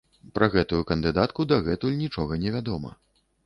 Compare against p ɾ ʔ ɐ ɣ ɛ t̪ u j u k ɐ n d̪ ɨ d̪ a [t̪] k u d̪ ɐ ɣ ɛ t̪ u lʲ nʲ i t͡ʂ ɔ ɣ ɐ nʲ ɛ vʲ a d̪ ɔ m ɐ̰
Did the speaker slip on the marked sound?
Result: no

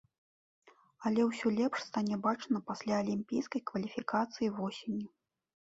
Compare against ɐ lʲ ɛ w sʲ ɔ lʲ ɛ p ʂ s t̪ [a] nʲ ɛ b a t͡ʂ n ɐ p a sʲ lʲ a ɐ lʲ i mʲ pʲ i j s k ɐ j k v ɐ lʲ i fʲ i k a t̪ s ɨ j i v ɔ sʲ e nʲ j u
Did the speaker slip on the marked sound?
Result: no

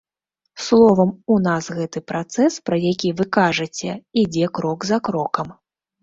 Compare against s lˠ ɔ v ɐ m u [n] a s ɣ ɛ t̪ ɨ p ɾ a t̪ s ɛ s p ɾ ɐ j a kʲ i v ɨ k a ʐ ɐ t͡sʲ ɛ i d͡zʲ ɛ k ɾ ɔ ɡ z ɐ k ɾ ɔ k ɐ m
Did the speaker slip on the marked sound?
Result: no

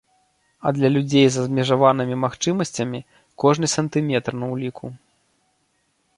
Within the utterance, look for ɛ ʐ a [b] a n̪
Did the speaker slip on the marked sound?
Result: yes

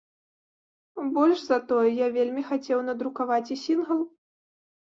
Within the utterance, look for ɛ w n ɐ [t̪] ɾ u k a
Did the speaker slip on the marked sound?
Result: yes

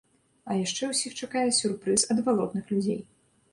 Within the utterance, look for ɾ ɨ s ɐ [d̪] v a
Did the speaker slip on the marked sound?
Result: no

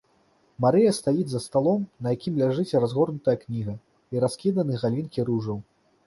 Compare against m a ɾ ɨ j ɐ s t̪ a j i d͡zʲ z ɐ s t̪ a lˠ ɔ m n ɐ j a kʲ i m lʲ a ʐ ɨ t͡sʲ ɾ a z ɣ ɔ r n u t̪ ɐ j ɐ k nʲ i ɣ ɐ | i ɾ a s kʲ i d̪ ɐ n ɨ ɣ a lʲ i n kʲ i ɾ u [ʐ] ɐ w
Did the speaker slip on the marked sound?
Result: no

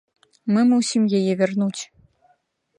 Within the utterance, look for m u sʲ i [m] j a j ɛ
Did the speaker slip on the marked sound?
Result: no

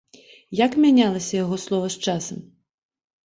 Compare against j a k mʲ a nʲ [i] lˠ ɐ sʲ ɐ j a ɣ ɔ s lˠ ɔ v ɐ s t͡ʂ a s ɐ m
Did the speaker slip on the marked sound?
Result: yes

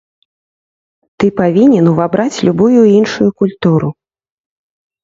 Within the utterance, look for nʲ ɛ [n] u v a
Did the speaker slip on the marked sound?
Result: no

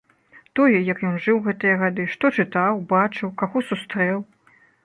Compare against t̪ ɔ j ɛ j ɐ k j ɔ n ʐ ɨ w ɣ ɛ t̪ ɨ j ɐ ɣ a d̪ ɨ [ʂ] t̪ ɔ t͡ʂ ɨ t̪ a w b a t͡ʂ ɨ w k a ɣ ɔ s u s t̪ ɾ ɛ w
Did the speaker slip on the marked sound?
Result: no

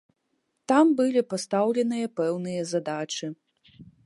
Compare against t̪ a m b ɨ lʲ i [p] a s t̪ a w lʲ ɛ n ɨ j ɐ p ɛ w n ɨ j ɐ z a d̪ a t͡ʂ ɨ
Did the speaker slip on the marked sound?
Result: no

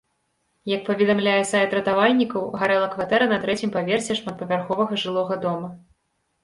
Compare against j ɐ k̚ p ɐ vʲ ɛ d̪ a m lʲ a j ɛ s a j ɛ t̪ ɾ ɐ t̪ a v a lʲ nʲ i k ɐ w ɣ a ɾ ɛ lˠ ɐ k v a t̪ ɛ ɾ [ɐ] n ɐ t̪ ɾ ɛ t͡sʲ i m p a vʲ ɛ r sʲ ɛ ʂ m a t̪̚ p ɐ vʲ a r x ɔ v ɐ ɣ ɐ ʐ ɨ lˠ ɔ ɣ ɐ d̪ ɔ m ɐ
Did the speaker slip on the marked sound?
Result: no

